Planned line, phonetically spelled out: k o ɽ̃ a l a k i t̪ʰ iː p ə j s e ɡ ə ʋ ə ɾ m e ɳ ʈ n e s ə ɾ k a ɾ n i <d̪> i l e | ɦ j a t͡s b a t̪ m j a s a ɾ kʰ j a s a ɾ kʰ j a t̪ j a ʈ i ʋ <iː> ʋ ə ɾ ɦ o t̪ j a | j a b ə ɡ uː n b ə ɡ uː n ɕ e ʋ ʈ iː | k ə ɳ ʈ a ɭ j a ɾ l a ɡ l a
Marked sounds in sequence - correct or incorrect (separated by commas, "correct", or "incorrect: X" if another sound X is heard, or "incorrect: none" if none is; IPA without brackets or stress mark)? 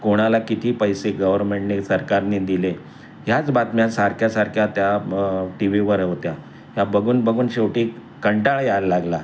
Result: correct, incorrect: i